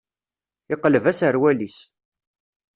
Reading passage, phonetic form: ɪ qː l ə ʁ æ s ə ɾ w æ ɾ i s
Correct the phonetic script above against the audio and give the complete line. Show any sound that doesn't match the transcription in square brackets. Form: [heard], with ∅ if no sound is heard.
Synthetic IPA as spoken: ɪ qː l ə [v] æ s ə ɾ w æ [l] i s